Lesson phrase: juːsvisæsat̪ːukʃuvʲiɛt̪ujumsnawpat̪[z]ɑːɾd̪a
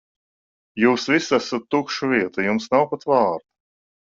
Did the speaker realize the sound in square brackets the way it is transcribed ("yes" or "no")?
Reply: no